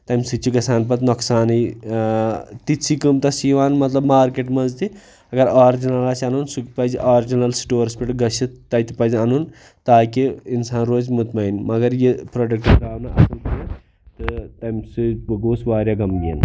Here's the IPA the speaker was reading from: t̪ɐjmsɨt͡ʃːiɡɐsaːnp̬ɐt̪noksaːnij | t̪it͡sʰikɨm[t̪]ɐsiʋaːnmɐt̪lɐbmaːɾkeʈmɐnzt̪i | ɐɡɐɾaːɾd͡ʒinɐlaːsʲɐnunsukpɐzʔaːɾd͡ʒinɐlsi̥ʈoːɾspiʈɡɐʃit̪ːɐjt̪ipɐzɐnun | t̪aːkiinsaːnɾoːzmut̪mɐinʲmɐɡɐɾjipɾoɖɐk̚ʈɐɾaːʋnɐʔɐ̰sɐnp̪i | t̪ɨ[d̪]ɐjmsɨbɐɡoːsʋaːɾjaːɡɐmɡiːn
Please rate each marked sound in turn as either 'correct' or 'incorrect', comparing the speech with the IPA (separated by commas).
correct, incorrect